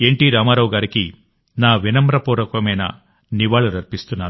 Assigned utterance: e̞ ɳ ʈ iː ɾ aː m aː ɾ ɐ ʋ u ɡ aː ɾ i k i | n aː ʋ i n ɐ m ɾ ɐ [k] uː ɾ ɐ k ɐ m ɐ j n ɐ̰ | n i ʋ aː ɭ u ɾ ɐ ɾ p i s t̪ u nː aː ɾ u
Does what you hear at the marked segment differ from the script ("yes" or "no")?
yes